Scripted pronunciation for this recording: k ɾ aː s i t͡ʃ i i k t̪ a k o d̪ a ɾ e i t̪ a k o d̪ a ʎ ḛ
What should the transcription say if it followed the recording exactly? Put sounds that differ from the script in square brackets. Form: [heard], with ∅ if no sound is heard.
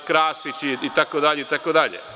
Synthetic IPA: k ɾ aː s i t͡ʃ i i [∅] t̪ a k o d̪ a [ʎ] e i t̪ a k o d̪ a ʎ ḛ